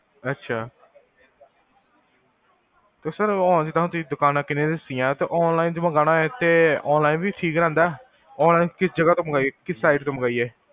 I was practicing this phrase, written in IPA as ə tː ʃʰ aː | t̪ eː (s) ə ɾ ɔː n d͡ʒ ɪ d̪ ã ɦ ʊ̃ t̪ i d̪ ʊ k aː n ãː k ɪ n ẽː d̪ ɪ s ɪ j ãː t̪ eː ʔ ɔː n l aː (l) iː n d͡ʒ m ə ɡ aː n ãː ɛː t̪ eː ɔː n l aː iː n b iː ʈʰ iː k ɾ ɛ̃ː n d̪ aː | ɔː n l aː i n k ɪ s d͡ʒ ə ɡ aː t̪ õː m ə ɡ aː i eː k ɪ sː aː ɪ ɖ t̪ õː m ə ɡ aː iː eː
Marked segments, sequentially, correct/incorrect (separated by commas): correct, incorrect